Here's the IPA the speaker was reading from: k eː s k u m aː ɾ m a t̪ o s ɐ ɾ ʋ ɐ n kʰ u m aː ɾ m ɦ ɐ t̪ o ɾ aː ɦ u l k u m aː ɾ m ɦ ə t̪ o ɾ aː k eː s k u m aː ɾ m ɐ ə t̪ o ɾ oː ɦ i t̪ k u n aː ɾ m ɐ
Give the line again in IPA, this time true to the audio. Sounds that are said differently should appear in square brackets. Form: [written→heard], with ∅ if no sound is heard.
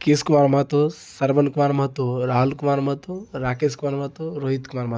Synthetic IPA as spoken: k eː s k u m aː ɾ m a t̪ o s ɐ ɾ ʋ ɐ n [kʰ→k] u m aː ɾ m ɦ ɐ t̪ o ɾ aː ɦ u l k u m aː ɾ m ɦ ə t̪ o ɾ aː k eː s k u m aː ɾ m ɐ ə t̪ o ɾ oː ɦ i t̪ k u [n→m] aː ɾ m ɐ